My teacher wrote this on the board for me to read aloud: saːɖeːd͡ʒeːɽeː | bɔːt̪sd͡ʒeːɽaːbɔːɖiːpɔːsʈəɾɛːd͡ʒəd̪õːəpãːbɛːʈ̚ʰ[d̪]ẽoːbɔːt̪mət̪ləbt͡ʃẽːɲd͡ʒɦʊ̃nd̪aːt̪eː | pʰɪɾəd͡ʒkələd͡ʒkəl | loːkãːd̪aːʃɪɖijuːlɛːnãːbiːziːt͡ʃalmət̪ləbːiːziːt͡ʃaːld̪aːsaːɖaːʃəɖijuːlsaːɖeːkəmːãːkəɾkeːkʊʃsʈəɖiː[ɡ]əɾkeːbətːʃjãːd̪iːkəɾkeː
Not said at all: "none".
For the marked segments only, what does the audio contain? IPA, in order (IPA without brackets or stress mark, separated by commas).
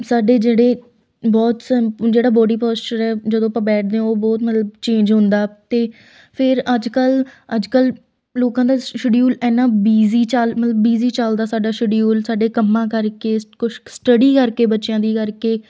d̪, k